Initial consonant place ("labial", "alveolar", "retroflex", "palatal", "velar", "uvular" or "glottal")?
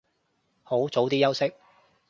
glottal